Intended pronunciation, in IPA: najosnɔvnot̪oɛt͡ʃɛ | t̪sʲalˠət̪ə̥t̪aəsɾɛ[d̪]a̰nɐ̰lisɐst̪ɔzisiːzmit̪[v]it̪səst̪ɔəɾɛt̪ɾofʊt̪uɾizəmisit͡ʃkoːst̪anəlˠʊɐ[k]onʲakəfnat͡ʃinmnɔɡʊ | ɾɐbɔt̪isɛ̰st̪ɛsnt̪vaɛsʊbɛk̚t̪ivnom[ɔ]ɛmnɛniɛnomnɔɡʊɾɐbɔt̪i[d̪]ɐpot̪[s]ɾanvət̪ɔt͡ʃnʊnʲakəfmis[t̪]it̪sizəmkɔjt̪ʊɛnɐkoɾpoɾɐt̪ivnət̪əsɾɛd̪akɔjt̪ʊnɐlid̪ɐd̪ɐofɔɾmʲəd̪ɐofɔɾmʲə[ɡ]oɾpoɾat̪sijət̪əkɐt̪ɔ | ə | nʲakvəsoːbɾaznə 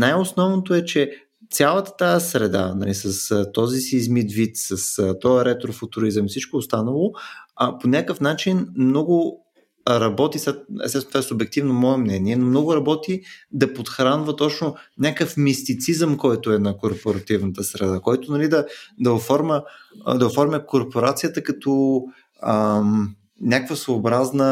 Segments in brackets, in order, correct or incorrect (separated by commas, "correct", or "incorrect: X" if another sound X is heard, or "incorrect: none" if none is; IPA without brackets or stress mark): correct, correct, incorrect: p, correct, correct, incorrect: x, correct, incorrect: k